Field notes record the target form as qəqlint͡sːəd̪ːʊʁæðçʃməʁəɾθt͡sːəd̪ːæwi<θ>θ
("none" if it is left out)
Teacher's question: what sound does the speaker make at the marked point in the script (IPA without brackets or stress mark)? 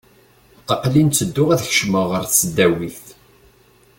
θ